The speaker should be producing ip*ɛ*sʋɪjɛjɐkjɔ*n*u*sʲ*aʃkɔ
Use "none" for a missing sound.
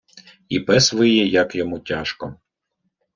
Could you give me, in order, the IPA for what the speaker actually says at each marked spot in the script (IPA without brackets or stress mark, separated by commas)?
ɛ, m, tʲ